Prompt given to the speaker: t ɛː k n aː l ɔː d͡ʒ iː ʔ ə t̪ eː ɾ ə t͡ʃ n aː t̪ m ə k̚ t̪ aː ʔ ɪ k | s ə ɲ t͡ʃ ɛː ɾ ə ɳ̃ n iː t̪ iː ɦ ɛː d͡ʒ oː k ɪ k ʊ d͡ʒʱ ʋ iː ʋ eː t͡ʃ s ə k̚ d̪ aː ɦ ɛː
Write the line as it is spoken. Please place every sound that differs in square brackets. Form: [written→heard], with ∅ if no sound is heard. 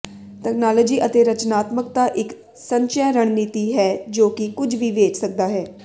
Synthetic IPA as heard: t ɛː k n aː l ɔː d͡ʒ iː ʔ ə t̪ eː ɾ ə t͡ʃ n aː t̪ m ə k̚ t̪ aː ʔ ɪ k | s ə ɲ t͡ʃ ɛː ɾ ə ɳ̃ n iː t̪ iː ɦ ɛː d͡ʒ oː k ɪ k ʊ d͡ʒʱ ʋ iː ʋ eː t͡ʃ s ə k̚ d̪ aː ɦ ɛː